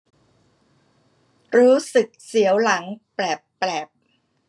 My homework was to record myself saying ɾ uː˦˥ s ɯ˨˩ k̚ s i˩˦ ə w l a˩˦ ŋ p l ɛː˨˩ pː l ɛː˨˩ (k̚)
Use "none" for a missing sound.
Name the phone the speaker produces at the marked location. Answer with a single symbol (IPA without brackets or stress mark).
p̚